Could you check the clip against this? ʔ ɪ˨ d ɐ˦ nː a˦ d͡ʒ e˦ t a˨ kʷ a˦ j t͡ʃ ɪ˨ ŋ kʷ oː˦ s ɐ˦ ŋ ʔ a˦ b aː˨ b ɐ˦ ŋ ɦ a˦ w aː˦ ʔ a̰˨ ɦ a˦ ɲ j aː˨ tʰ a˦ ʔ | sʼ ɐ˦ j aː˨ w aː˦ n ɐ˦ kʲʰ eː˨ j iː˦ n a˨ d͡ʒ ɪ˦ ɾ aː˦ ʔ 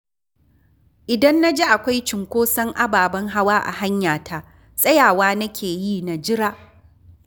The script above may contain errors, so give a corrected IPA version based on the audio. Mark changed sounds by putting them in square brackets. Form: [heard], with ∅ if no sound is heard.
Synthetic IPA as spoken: ʔ ɪ˨ d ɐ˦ nː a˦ d͡ʒ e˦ [ʔ] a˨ kʷ a˦ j t͡ʃ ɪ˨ ŋ kʷ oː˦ s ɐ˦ ŋ ʔ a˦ b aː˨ b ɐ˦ ŋ ɦ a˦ w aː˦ ʔ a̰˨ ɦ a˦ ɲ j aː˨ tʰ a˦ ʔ | sʼ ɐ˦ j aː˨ w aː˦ n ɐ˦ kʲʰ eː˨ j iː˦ n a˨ d͡ʒ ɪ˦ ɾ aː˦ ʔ